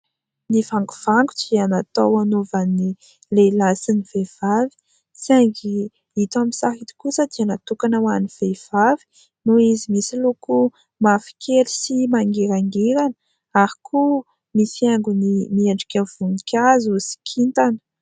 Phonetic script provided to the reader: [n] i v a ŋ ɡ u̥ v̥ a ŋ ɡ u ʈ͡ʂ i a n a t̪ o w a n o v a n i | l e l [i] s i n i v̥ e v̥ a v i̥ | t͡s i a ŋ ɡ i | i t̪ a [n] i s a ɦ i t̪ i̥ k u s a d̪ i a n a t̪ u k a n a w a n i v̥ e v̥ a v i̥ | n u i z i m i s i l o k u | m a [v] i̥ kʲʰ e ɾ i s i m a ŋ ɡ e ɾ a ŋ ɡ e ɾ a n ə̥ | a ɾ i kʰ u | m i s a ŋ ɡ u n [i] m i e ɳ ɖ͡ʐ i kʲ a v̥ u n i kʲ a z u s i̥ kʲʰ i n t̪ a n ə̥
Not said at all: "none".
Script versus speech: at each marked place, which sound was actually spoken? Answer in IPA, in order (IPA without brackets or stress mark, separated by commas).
n, a, m, f, i